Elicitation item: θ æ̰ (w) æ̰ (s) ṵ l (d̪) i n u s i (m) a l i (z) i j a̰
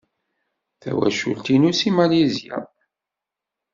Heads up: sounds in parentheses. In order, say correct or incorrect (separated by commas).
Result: correct, incorrect, incorrect, correct, correct